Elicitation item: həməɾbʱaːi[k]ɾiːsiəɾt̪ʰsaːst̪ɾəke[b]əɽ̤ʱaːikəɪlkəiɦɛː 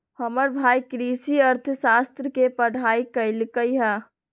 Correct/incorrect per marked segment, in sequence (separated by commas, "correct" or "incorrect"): correct, incorrect